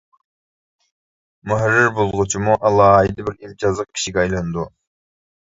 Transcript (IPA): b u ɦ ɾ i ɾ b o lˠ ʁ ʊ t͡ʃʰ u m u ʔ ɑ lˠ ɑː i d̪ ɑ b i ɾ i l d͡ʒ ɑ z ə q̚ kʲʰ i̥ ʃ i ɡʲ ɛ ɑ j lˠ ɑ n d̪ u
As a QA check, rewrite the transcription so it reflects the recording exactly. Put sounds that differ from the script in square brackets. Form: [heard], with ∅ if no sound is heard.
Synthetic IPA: [m] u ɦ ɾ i ɾ b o lˠ ʁ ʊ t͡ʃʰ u m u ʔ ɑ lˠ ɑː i d̪ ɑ b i ɾ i l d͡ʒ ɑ z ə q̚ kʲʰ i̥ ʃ i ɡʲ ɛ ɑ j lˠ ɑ n d̪ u